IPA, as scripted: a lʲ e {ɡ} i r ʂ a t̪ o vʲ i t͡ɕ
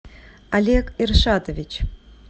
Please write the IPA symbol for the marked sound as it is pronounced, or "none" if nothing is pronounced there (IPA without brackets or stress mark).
k